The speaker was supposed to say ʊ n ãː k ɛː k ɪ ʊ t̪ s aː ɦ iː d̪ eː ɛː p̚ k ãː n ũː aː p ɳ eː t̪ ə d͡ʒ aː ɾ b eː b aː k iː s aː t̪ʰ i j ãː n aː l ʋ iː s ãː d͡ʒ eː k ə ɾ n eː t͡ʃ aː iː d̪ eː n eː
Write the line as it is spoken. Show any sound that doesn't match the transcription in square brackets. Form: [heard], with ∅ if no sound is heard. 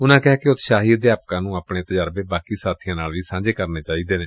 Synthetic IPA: ʊ n ãː k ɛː k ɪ ʊ t̪ [ʃ] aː ɦ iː d̪ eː [aː] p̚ k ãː n ũː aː p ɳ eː t̪ ə d͡ʒ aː ɾ b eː b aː k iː s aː t̪ʰ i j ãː n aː l ʋ iː s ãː d͡ʒ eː k ə ɾ n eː t͡ʃ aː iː d̪ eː n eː